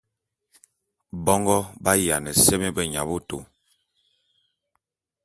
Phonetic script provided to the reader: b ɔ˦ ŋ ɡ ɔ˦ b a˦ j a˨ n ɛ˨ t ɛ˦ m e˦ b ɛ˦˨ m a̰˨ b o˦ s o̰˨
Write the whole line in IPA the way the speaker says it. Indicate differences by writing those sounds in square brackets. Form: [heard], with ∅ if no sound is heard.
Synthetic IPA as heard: b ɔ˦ ŋ ɡ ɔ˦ b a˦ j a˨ n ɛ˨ [s] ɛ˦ m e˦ b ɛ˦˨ [ɲ] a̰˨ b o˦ [t] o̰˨

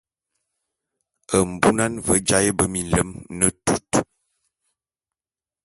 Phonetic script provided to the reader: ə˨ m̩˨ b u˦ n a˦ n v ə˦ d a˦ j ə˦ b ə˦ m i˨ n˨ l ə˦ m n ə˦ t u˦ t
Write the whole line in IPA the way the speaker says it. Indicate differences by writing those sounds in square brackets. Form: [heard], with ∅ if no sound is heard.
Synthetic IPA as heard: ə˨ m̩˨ b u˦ n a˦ n v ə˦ [d͡ʒ] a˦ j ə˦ b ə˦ m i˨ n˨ l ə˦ m n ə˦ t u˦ t

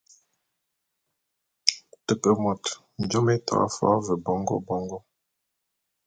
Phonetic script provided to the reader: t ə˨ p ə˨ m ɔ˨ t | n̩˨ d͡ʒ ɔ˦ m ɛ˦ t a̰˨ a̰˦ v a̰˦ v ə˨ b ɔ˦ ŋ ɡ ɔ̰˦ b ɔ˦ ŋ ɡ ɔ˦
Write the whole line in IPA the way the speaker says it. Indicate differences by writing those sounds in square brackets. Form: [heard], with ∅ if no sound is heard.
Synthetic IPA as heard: t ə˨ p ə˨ m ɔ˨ t | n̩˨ d͡ʒ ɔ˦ m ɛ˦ t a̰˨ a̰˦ [f] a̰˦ v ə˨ b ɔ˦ ŋ ɡ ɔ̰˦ b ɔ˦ ŋ ɡ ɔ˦

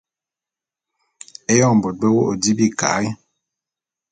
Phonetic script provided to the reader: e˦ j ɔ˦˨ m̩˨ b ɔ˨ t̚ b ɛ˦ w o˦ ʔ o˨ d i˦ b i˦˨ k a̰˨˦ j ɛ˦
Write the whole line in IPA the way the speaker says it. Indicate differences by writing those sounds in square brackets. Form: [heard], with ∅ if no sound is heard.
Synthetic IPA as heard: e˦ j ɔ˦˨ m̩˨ b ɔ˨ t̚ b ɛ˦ w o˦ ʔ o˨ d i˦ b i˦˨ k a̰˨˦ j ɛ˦

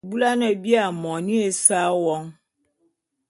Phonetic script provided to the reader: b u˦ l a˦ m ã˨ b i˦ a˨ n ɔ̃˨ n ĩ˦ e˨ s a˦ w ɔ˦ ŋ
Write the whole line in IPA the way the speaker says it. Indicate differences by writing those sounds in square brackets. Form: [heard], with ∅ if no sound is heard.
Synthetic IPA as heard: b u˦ l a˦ [n] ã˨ b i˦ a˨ [m] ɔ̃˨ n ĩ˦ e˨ s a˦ w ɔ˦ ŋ

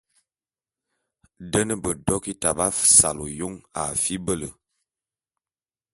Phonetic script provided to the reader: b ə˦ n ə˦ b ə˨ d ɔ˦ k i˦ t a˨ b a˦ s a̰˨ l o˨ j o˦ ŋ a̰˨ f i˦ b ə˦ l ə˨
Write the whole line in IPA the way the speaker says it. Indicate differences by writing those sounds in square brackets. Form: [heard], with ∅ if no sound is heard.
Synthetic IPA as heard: [d] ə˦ n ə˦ b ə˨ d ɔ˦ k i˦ t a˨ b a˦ s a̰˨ l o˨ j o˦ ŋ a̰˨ f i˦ b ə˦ l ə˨

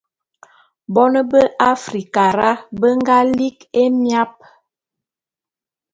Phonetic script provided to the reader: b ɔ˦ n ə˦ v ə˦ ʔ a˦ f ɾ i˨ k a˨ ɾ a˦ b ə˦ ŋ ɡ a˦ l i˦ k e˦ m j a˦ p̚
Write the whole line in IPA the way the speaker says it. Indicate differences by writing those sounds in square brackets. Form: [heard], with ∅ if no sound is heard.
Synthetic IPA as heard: b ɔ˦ n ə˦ [b] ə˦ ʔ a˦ f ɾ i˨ k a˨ ɾ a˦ b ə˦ ŋ ɡ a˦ l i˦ k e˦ m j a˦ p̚

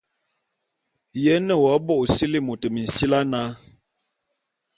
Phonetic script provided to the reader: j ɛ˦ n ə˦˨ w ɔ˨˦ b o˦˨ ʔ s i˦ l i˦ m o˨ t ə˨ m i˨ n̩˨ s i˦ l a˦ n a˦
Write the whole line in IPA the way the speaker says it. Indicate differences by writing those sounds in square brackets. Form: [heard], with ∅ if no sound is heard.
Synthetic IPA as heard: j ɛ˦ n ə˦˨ w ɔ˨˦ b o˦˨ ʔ s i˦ l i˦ m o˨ t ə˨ m i˨ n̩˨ s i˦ l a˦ n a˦

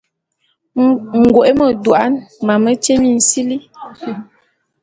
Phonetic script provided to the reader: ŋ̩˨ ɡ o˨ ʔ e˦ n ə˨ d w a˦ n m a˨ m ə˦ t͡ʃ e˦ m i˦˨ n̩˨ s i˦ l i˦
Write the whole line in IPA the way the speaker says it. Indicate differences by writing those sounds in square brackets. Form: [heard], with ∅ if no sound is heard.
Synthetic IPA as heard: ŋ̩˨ ɡ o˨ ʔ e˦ [m] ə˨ d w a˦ n m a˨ m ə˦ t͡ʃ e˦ m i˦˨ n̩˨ s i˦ l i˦

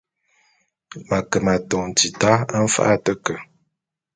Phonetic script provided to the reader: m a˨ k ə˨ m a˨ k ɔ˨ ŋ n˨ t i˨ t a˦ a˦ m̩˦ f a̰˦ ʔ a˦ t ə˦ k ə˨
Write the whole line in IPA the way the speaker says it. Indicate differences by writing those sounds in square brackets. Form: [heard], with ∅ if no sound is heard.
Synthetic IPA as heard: m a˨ k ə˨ m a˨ [t] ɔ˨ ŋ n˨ t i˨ t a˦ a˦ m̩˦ f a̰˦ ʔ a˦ t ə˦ k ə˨

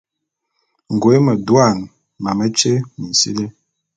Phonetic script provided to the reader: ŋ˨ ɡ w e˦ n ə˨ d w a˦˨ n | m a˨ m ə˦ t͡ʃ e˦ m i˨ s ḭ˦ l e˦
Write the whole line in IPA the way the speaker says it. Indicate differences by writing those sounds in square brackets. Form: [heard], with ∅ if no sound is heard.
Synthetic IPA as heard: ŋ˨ ɡ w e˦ [m] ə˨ d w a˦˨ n | m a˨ m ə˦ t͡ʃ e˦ m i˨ s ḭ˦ l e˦

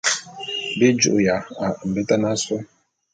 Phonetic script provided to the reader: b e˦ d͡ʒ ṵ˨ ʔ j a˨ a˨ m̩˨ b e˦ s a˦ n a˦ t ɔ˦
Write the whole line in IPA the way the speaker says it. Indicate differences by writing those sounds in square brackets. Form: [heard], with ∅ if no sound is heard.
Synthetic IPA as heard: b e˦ d͡ʒ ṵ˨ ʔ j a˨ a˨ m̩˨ b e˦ [t] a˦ n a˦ [s] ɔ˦

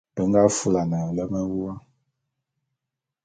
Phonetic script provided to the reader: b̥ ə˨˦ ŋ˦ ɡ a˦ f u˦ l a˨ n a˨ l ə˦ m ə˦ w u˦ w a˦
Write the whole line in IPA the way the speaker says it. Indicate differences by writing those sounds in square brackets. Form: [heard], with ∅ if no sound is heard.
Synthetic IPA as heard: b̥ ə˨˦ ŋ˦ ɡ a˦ f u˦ l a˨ n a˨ l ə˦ m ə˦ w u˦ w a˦

